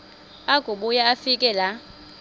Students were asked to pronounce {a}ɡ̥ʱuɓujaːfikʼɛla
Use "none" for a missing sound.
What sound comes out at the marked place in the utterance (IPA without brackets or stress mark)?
a